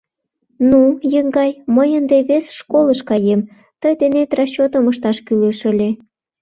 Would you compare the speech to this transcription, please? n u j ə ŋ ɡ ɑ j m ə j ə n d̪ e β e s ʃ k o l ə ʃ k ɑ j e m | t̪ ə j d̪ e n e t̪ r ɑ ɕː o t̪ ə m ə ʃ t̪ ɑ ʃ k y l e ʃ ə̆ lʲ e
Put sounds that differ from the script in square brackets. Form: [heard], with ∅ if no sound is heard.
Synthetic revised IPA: n u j ə ŋ ɡ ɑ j m ə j ə n d̪ e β e s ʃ k o l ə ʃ k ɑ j e m | t̪ ə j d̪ e n e t̪ r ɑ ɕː o t̪ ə m ə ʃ t̪ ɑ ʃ k y l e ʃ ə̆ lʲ e